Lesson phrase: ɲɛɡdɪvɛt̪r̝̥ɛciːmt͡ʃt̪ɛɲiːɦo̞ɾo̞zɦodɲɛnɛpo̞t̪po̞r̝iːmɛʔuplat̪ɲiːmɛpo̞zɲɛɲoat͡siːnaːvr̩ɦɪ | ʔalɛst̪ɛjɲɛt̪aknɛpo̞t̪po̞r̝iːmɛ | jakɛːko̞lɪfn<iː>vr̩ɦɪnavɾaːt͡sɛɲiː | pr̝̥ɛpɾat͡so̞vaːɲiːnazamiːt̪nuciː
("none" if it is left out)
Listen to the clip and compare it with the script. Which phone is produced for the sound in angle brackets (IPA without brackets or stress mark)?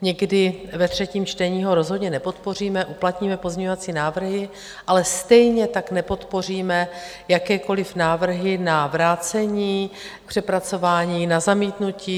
aː